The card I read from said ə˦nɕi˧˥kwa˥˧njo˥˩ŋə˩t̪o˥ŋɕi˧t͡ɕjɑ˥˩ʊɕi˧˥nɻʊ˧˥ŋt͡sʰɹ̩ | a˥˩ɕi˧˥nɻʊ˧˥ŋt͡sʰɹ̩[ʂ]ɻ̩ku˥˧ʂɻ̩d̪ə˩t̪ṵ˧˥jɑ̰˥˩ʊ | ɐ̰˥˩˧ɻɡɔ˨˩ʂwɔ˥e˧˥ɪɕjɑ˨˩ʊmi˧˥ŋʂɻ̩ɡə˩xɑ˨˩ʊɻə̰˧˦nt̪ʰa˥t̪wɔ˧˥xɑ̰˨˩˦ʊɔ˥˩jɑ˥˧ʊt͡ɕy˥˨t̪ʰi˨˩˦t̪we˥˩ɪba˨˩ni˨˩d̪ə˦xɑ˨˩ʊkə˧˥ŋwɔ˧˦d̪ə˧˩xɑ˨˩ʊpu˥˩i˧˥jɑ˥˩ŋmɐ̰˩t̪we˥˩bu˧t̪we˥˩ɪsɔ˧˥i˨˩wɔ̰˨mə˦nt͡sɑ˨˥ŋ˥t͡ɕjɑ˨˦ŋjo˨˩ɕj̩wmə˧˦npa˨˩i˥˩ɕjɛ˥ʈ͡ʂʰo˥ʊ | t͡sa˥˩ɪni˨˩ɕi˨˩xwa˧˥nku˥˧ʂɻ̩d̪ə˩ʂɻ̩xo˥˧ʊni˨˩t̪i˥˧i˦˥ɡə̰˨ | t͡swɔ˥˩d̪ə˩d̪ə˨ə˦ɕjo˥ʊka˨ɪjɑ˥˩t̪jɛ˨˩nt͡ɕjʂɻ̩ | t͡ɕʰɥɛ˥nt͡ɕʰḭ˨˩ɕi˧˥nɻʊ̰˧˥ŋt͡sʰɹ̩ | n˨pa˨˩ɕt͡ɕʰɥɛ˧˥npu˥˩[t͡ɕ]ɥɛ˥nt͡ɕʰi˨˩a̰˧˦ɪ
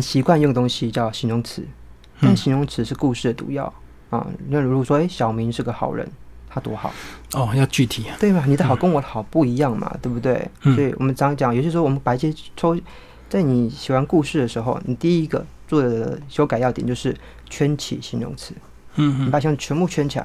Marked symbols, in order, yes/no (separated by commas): yes, no